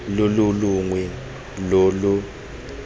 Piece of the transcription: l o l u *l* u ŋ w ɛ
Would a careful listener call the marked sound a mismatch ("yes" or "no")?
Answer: no